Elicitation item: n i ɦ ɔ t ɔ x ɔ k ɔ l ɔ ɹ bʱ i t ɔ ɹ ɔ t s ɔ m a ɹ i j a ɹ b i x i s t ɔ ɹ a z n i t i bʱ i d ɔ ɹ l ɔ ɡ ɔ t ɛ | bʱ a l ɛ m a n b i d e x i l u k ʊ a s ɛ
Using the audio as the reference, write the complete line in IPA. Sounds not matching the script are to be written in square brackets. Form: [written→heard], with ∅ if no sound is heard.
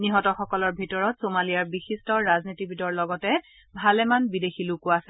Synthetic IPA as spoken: n i ɦ ɔ t ɔ x ɔ k ɔ l ɔ ɹ bʱ i t ɔ ɹ ɔ t s [ɔ→o] m a [ɹ→l] i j a ɹ b i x i s t ɔ ɹ a z n i t i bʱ i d ɔ ɹ l ɔ ɡ ɔ t ɛ | bʱ a l ɛ m a n b i d e x i l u k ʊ a s ɛ